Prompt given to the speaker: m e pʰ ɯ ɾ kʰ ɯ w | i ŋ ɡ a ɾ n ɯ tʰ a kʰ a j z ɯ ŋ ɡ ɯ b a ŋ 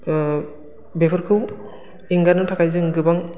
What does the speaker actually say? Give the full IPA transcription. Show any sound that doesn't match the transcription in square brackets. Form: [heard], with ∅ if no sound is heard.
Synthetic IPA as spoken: [b] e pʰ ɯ ɾ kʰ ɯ w | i ŋ ɡ a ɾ n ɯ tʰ a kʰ a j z ɯ ŋ ɡ ɯ b a ŋ